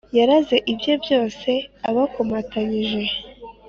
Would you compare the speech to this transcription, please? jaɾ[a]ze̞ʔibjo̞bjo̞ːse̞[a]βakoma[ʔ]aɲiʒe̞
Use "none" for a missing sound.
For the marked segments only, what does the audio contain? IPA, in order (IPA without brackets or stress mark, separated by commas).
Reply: a, a, t